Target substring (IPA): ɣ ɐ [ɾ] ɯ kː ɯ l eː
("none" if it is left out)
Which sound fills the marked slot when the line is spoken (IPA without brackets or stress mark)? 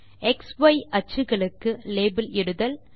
ɭ